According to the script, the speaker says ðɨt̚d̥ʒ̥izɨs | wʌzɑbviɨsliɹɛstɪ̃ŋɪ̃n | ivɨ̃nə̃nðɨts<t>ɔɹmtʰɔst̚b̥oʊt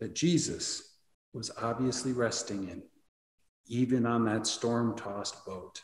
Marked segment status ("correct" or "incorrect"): correct